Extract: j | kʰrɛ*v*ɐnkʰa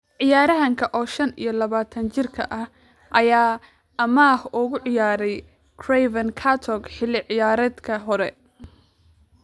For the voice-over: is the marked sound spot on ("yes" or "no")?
yes